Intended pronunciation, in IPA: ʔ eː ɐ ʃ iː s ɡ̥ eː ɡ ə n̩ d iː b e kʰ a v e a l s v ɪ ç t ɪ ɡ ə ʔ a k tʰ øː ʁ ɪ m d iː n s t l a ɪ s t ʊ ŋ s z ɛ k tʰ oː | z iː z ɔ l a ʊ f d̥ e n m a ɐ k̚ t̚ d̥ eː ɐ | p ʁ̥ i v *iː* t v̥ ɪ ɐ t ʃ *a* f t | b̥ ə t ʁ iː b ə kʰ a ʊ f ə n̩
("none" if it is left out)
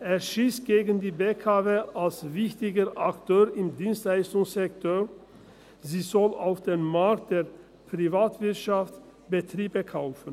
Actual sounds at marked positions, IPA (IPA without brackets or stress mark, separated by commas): aː, a